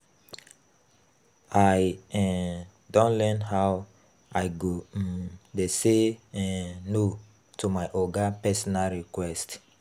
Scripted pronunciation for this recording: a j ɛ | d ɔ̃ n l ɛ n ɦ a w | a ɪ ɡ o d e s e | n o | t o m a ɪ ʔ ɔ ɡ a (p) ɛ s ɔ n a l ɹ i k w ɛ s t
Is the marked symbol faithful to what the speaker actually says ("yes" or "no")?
yes